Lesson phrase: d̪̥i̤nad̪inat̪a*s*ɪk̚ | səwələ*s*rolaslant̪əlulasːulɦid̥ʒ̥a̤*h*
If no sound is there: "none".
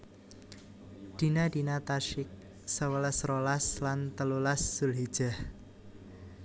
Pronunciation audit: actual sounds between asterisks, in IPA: ʃ, s, h

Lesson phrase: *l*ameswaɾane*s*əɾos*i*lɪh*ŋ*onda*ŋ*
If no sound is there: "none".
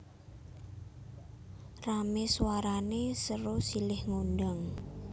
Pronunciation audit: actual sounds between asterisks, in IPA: r, s, i, ŋ, ŋ

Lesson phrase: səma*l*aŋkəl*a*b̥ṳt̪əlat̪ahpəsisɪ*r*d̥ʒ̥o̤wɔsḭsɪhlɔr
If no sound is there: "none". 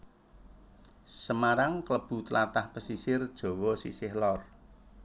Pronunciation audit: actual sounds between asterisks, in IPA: ɾ, ə, r

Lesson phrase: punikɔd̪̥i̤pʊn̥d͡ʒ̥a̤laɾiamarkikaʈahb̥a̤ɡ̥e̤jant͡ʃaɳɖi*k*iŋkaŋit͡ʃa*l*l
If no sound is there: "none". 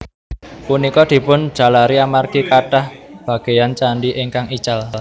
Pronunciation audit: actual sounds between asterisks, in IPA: ʔ, l

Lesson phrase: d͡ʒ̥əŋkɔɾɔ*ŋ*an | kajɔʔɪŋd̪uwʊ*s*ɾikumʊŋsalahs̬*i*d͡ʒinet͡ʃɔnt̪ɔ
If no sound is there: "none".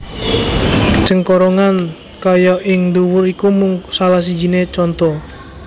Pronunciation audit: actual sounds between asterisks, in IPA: ŋ, none, i

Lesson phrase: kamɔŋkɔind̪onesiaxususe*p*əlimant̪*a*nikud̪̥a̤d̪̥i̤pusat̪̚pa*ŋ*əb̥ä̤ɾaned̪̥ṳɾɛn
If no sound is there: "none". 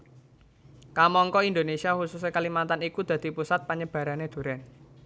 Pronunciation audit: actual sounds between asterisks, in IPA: k, a, ɲ

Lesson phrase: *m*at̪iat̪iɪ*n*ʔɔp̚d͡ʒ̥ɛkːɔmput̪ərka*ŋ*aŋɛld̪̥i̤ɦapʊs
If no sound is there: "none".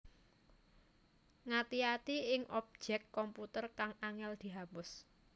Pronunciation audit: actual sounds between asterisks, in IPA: ŋ, ŋ, ŋ

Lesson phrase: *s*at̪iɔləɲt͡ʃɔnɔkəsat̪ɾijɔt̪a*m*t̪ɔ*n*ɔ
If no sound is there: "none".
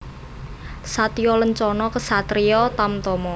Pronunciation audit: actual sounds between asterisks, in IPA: s, m, m

